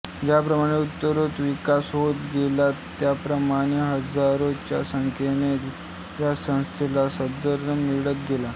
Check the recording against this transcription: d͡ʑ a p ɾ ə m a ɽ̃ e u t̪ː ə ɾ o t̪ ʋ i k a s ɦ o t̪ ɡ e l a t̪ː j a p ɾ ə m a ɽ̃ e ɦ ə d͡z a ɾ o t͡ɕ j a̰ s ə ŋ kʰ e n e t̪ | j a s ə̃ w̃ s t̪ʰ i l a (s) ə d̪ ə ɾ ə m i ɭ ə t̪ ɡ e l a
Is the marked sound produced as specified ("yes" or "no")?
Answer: yes